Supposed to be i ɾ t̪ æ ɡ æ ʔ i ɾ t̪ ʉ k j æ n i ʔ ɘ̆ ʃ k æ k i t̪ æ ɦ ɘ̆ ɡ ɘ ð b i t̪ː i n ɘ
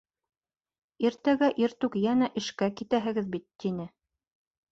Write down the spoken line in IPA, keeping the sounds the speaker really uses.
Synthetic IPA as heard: i ɾ t̪ æ ɡ æ ʔ i ɾ t̪ ʉ k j æ n æ ʔ ɘ̆ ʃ k æ k i t̪ æ ɦ ɘ̆ ɡ ɘ ð b i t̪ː i n ɘ